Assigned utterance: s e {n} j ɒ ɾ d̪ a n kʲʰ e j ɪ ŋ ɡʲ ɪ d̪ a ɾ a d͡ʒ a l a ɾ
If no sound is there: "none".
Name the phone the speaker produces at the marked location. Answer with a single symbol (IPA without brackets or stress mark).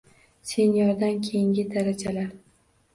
n